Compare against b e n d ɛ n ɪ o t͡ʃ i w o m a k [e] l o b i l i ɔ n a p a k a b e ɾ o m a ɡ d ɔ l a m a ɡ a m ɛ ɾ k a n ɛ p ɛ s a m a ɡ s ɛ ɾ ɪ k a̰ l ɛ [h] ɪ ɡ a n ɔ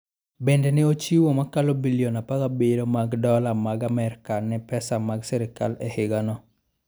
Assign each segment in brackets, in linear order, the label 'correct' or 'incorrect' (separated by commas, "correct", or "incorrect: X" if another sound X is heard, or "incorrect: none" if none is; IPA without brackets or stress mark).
incorrect: a, correct